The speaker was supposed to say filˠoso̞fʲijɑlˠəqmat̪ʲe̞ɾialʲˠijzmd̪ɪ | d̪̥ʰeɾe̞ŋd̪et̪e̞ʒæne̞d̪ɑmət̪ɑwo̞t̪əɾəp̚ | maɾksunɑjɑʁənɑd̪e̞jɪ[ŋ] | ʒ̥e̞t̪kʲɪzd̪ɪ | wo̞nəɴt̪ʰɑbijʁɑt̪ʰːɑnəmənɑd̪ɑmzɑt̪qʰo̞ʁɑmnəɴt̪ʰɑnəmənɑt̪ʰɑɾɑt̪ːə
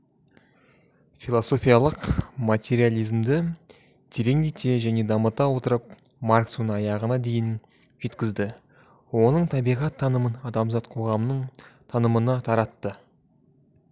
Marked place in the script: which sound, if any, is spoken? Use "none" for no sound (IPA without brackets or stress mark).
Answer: n